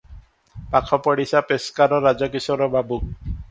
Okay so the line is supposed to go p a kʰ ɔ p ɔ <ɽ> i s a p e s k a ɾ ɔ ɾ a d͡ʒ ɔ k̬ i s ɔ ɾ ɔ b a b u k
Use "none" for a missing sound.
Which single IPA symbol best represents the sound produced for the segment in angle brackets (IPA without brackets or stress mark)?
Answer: ɽ